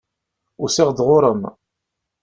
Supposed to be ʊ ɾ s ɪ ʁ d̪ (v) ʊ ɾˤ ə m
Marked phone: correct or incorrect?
incorrect